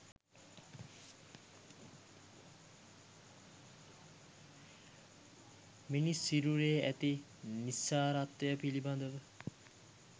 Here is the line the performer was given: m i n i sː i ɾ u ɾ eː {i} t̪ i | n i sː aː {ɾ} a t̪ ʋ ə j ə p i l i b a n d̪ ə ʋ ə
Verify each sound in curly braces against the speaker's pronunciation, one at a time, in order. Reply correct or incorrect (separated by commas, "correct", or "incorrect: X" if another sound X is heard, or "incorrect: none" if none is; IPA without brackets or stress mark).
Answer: incorrect: æ, correct